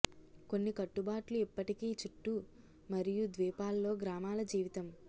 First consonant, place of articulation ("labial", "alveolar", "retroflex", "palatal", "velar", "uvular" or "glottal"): velar